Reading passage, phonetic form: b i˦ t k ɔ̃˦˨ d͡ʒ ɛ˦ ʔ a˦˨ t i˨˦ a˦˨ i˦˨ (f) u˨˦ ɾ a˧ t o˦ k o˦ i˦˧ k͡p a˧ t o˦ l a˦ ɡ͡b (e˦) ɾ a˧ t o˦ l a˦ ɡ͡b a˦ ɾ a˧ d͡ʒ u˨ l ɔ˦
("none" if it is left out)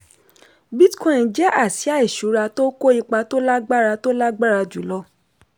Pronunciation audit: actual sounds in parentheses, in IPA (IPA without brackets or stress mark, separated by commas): ʃ, a˦